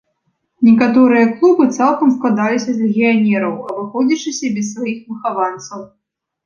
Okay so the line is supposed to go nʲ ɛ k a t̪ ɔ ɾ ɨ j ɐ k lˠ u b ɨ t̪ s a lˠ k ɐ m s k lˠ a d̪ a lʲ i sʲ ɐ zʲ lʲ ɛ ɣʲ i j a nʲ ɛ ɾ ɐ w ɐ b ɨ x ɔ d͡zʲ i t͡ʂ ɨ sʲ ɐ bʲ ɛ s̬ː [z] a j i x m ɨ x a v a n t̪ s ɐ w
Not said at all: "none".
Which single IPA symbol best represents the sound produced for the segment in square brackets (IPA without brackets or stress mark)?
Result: v